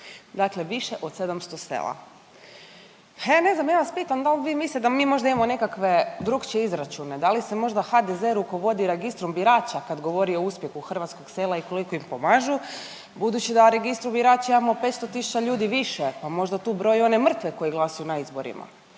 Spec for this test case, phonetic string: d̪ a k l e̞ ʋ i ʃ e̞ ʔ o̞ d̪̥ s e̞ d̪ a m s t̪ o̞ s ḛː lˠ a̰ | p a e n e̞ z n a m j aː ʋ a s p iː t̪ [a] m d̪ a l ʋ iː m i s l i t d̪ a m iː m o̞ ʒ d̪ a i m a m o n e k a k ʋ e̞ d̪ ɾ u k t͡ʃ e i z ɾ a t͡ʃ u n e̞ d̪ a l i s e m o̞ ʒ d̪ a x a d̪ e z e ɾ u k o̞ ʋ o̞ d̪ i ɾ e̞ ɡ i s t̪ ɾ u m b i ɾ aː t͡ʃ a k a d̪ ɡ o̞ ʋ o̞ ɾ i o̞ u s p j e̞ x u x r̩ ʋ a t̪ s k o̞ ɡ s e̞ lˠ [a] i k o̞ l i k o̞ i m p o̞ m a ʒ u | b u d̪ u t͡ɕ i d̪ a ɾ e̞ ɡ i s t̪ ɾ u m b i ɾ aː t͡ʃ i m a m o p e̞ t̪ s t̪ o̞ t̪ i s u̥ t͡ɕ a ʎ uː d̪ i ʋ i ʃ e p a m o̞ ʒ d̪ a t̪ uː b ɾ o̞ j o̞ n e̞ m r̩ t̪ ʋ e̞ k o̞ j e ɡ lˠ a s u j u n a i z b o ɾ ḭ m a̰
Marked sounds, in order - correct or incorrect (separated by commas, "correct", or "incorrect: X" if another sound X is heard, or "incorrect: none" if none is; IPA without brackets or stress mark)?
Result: correct, correct